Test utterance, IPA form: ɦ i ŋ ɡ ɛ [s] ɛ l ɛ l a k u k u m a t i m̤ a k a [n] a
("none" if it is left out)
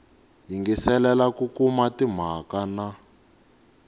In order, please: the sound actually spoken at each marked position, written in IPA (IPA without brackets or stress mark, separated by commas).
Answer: s, n